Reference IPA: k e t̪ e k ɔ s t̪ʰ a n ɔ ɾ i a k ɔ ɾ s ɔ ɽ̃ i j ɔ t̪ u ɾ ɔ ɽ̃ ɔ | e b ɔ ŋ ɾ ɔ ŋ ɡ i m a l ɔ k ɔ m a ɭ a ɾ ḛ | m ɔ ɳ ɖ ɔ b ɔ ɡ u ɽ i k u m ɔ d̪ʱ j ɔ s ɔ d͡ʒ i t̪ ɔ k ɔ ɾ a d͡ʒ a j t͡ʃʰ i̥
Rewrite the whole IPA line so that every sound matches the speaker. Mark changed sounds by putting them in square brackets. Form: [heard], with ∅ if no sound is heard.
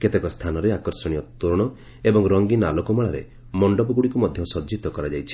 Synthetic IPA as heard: k e t̪ e k ɔ s t̪ʰ a n ɔ ɾ [e] a k ɔ ɾ s ɔ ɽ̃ i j ɔ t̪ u ɾ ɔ ɽ̃ ɔ | e b ɔ ŋ ɾ ɔ ŋ ɡ i [n] a l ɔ k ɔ m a ɭ a ɾ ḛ | m ɔ ɳ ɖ ɔ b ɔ ɡ u ɽ i k u m ɔ d̪ʱ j ɔ s ɔ d͡ʒ i t̪ ɔ k ɔ ɾ a d͡ʒ a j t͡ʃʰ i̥